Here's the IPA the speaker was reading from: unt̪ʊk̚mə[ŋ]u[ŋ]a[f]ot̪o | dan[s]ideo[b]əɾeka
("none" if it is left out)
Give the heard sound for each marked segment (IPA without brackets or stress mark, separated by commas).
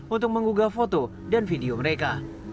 ŋ, ɡ, f, f, m